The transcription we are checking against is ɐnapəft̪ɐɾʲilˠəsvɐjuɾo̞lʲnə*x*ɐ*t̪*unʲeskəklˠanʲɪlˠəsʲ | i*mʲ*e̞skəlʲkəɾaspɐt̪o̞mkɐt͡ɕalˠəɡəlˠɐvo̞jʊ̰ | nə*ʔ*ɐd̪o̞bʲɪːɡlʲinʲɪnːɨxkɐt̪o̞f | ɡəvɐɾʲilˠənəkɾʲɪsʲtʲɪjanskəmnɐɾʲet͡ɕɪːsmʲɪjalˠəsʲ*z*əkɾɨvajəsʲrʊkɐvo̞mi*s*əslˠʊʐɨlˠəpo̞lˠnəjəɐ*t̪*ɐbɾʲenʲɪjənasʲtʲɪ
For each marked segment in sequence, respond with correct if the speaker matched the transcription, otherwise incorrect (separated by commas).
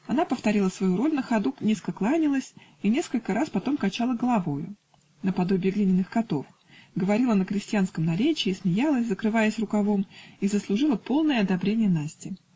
correct, incorrect, incorrect, incorrect, correct, incorrect, incorrect